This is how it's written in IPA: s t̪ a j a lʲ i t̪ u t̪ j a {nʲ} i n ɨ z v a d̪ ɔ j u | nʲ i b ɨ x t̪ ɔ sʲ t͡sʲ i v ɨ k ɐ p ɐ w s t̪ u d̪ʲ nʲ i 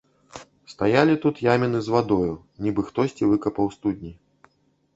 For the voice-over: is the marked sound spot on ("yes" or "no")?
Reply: no